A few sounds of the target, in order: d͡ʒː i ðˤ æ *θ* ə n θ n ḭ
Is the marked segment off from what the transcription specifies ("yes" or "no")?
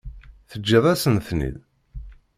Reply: yes